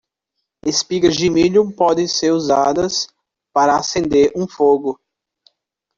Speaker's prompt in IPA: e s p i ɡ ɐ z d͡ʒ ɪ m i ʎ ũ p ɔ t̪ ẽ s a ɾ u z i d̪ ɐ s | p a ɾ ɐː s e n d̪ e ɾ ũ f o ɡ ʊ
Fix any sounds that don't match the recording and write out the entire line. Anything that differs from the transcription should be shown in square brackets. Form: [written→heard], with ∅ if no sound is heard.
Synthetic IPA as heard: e s p i ɡ ɐ z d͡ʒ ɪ m i ʎ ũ p ɔ [t̪→d̪] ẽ s [a→e] ɾ u z [i→a] d̪ ɐ s | p a ɾ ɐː s [e→ẽ] n d̪ e ɾ ũ f o ɡ ʊ